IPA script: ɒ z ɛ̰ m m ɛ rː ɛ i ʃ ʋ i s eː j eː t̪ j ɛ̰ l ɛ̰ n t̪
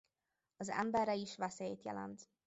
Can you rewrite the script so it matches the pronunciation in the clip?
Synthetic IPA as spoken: ɒ z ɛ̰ m b ɛ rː ɛ i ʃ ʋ ɛ s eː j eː t̪ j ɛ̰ l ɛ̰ n t̪